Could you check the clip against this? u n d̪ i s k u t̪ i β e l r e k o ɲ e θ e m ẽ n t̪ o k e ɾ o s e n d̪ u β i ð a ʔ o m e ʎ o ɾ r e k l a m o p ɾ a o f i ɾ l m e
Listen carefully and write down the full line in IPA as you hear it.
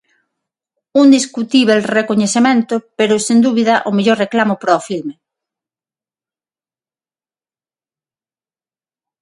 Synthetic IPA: u n d̪ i s k u t̪ i β e l r e k o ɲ e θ e m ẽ n t̪ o p e ɾ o s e n d̪ u β i ð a ʔ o m e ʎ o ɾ r e k l a m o p ɾ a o f i l m e